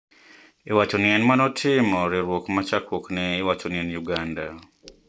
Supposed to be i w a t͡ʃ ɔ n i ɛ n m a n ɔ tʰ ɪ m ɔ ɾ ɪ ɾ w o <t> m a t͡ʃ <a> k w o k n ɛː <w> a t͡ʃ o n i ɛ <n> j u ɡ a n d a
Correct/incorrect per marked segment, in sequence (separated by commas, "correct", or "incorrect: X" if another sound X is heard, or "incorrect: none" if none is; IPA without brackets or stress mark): incorrect: k, correct, correct, correct